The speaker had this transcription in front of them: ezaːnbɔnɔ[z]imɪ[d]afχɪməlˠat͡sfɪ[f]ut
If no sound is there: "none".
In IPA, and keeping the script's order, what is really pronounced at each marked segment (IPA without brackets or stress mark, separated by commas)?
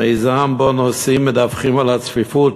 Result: s, d, f